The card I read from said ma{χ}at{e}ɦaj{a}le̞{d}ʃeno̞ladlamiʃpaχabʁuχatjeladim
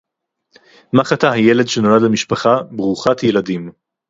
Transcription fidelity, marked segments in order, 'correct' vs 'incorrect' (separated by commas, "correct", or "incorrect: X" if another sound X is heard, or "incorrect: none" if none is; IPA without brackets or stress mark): correct, incorrect: a, incorrect: e, correct